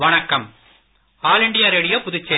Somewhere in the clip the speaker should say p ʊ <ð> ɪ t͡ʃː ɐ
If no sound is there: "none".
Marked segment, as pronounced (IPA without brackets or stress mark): ð